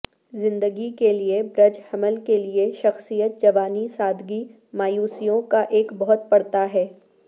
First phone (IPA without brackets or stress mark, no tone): z